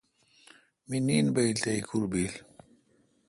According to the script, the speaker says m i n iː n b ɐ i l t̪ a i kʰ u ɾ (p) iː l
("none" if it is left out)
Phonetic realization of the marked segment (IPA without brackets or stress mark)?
b